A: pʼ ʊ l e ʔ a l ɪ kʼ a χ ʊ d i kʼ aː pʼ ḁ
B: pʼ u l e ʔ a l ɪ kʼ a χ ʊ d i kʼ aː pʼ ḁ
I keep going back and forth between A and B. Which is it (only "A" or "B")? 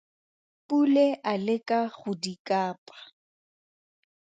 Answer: B